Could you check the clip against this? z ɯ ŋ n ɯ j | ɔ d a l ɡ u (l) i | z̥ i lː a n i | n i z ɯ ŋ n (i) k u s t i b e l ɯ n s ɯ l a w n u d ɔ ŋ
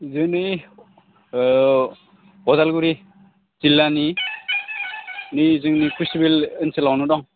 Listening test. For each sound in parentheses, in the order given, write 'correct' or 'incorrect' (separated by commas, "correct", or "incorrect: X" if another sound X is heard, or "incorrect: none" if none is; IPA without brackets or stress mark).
incorrect: ɾ, correct